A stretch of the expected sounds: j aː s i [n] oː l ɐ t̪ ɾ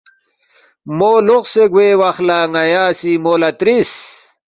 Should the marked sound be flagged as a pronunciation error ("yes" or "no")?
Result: yes